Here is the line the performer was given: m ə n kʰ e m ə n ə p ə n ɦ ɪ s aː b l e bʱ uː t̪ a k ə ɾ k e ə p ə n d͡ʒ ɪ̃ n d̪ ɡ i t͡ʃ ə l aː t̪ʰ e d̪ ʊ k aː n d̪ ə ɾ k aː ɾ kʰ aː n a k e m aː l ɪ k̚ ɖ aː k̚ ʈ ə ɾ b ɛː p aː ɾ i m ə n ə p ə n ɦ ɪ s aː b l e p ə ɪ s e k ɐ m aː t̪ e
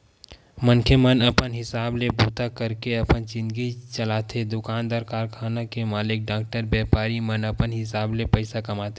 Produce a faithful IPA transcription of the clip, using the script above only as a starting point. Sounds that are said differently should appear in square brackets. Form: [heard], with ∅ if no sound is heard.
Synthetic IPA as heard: m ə n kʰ e m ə n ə p ə n ɦ ɪ s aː b l e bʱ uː t̪ a k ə ɾ k e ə p ə n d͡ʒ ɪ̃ n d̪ ɡ i t͡ʃ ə l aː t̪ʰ e d̪ ʊ k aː n d̪ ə ɾ k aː ɾ kʰ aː n a k e m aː l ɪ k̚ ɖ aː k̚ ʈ ə ɾ b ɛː p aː ɾ i m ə n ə p ə n ɦ ɪ s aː b l e p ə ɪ s [a] k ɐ m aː t̪ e